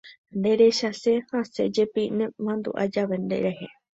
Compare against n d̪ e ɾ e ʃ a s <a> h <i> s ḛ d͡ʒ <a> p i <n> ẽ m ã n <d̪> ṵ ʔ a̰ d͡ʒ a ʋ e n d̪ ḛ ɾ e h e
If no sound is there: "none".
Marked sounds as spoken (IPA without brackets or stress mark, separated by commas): e, a, e, n, d̪